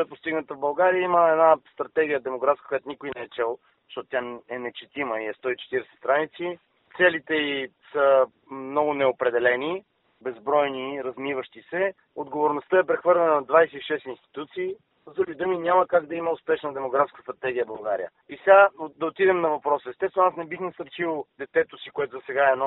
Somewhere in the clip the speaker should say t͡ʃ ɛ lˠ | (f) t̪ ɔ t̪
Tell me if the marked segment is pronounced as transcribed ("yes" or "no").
no